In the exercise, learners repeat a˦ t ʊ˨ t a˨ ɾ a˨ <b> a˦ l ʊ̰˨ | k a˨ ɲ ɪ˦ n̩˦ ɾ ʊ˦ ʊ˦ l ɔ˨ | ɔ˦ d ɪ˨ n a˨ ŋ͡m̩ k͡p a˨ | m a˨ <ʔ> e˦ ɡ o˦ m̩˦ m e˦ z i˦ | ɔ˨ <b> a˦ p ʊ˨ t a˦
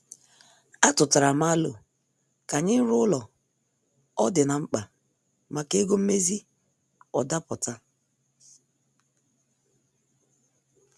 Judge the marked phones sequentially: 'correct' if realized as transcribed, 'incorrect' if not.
incorrect, incorrect, incorrect

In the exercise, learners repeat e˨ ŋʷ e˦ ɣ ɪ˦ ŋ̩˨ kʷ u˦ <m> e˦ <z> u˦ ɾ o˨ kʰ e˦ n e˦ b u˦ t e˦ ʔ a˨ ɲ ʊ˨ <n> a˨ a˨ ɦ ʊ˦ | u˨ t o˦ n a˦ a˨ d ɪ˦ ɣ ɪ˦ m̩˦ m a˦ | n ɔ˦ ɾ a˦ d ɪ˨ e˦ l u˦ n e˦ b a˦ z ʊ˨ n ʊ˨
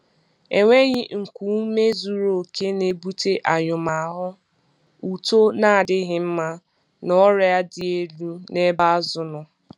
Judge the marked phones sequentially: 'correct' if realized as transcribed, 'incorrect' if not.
correct, correct, incorrect

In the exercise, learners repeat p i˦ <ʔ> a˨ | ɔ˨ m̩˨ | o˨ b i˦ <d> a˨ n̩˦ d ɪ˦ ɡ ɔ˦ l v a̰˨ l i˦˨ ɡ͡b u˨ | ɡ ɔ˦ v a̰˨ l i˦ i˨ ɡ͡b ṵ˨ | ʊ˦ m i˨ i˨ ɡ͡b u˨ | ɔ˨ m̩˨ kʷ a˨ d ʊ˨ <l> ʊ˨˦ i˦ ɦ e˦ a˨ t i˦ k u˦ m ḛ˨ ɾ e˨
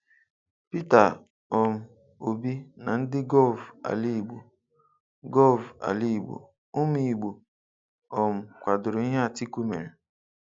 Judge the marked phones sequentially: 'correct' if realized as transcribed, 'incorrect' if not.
incorrect, incorrect, incorrect

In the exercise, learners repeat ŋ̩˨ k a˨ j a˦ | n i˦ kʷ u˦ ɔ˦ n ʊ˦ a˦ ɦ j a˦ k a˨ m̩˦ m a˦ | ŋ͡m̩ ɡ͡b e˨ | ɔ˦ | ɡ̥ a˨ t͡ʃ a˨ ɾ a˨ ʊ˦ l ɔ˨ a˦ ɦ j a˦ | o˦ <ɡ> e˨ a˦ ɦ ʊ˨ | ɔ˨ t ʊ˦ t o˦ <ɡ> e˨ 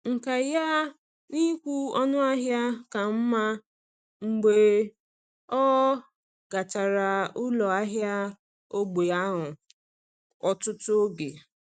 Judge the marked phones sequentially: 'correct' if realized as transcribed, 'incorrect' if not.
incorrect, correct

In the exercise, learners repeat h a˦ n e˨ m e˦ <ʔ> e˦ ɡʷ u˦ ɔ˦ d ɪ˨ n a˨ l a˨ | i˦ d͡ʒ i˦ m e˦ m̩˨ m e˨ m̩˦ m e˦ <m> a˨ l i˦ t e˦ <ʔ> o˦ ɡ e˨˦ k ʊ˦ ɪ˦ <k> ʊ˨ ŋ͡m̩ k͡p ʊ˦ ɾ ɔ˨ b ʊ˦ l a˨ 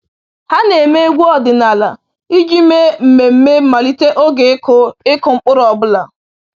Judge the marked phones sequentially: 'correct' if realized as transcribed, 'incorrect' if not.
incorrect, correct, correct, correct

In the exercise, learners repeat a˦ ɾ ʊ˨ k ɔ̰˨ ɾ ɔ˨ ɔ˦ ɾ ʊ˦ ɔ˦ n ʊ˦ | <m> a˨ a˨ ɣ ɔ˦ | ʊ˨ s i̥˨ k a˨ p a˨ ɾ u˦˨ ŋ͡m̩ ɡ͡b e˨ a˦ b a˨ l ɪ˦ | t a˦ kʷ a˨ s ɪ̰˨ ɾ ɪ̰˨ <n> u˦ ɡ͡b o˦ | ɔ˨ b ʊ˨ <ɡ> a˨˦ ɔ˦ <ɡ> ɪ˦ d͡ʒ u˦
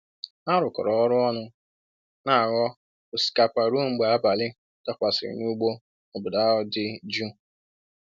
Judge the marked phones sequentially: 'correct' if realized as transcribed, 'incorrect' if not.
incorrect, correct, incorrect, incorrect

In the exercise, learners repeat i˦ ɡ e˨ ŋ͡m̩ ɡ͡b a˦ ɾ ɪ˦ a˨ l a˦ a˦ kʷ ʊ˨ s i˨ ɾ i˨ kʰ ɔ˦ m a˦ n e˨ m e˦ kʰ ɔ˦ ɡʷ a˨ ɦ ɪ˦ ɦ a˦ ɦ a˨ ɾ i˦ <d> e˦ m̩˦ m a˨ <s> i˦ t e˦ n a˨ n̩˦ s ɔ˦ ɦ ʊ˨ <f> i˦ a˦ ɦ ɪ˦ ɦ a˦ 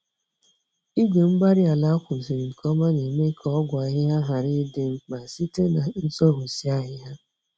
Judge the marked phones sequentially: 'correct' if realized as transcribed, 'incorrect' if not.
correct, correct, incorrect

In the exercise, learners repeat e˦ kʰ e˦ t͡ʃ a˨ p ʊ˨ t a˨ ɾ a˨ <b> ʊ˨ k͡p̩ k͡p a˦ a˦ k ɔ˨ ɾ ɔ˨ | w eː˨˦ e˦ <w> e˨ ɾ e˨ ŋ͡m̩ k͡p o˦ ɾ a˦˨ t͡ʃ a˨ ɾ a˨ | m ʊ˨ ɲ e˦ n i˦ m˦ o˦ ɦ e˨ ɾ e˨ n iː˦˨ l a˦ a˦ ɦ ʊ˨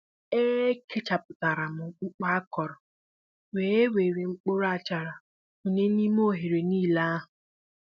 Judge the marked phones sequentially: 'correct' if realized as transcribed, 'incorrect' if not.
incorrect, correct

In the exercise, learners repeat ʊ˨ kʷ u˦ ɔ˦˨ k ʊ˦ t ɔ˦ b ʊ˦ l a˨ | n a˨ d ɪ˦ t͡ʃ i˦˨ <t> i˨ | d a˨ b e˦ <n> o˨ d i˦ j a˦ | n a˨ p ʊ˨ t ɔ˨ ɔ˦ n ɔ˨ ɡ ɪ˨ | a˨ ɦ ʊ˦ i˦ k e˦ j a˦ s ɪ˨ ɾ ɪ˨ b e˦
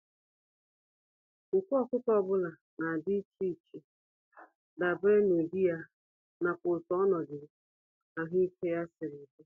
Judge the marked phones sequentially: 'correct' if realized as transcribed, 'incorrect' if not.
incorrect, correct

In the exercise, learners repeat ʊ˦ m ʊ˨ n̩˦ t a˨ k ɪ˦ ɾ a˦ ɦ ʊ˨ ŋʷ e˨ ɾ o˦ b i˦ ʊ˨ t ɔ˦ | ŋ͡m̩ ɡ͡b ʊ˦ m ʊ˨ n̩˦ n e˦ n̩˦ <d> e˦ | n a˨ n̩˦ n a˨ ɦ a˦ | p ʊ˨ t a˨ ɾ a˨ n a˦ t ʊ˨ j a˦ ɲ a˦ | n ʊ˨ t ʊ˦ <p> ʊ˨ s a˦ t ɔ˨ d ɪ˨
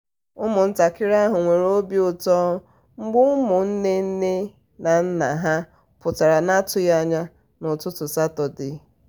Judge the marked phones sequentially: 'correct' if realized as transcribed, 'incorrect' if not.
incorrect, incorrect

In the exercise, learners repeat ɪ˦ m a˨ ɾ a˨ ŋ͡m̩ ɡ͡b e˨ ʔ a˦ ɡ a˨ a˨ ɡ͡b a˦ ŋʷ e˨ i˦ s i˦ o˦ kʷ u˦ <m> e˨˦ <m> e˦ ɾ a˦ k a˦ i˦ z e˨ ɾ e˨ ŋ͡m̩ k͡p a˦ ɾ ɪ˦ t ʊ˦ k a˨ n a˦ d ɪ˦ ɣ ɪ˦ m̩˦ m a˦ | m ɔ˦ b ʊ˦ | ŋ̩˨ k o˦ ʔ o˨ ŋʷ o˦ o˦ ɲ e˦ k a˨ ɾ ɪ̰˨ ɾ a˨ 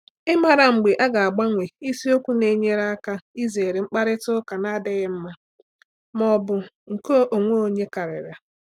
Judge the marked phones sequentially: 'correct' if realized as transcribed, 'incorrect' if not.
incorrect, incorrect

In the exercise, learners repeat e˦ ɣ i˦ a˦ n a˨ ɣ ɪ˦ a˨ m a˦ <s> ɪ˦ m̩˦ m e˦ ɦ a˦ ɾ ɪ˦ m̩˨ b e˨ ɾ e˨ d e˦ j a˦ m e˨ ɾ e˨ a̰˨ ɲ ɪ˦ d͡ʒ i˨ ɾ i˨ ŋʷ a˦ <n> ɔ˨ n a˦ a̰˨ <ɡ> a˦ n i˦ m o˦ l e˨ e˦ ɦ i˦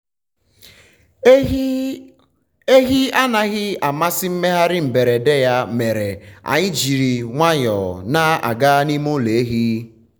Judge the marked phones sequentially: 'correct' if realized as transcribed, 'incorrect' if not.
correct, incorrect, correct

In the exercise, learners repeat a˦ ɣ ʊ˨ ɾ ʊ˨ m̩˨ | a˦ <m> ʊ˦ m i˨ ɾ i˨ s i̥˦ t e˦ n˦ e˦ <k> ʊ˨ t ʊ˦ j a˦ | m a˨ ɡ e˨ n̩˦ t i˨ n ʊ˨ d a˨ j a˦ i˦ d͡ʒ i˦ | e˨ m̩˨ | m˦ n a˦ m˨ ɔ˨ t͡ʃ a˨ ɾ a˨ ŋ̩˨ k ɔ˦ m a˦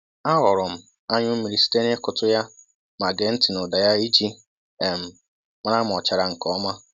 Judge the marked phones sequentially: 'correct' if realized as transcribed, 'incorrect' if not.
incorrect, correct

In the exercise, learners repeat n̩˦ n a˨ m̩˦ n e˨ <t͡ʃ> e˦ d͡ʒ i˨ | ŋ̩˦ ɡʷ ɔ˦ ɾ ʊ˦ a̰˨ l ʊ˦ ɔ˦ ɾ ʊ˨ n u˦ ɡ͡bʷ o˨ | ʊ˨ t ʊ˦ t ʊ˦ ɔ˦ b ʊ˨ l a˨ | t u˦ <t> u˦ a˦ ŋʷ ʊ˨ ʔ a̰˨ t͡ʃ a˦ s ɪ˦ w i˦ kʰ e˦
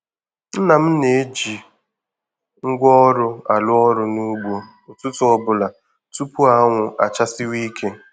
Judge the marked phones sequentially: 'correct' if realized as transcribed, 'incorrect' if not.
incorrect, incorrect

